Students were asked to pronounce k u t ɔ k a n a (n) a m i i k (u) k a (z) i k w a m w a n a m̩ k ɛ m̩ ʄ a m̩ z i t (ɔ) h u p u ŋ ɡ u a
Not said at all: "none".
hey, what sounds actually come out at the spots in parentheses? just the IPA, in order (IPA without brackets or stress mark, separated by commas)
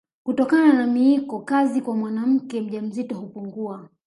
n, ɔ, z, ɔ